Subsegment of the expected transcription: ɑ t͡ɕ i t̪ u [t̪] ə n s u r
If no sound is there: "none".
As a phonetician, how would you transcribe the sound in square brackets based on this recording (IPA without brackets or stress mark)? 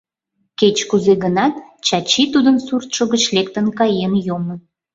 d̪